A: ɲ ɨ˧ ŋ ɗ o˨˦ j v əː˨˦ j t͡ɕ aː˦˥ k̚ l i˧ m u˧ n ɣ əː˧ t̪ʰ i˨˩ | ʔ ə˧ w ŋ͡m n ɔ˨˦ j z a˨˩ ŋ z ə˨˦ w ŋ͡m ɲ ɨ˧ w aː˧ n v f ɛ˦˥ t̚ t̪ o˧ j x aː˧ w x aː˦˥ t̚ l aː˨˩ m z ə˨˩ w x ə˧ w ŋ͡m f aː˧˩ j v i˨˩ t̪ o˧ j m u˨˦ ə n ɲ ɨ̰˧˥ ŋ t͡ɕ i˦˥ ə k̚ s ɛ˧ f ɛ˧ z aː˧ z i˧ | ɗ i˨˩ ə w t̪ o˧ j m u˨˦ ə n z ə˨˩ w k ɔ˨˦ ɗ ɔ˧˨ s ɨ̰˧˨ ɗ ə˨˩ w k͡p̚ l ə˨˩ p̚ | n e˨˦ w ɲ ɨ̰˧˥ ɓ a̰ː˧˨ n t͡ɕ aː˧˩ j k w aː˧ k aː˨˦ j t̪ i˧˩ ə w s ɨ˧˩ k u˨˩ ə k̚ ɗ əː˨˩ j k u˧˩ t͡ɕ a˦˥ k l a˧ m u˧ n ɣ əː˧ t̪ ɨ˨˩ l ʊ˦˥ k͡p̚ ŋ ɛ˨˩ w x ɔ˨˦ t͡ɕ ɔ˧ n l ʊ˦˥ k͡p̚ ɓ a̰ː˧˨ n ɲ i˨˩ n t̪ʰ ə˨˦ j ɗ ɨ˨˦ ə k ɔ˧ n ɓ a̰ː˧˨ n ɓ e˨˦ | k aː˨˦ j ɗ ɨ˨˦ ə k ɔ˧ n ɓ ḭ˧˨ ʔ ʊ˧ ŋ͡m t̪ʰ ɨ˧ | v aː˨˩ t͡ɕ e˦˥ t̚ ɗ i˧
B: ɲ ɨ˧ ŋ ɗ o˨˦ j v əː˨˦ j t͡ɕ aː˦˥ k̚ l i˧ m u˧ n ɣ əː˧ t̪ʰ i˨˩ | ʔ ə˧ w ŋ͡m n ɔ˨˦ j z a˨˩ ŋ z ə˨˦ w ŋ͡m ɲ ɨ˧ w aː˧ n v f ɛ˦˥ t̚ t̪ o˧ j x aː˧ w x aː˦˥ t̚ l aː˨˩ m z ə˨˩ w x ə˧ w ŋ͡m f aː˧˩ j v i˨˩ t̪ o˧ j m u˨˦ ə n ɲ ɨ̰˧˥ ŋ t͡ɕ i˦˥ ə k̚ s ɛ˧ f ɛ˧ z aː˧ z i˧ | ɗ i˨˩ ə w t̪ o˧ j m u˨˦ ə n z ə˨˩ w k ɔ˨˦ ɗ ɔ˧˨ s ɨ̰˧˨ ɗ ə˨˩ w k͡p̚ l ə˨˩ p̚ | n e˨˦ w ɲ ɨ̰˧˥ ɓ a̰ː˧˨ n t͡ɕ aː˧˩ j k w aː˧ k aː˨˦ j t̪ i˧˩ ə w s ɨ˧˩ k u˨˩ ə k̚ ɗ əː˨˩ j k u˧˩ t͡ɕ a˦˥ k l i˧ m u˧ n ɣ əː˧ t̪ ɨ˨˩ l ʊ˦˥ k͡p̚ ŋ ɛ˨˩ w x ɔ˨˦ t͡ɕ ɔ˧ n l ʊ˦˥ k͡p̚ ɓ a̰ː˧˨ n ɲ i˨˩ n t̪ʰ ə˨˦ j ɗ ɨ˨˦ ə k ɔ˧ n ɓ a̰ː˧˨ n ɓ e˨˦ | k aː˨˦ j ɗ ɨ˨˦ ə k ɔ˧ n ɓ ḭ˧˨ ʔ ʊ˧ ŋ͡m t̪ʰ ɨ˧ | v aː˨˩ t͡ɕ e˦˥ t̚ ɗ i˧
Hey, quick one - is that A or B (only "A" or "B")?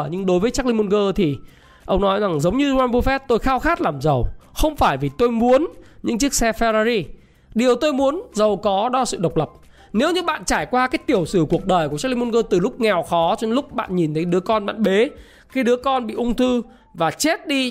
B